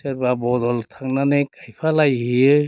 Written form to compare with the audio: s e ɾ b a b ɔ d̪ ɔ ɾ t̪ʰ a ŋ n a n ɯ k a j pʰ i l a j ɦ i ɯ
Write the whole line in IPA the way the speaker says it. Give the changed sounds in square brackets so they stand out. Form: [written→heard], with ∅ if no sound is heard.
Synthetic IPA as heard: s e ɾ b a b ɔ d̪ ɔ [ɾ→l] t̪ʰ a ŋ n a n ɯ k a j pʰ [i→a] l a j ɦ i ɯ